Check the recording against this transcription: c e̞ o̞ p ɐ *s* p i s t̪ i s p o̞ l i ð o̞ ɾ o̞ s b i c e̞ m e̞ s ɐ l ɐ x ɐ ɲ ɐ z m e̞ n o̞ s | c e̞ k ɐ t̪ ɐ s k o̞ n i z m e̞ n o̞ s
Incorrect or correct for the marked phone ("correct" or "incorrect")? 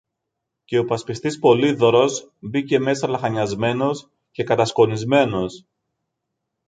correct